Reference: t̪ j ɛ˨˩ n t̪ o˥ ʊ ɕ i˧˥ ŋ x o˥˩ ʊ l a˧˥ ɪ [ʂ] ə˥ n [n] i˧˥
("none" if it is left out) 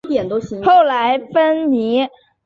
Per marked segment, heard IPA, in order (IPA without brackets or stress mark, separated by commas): f, n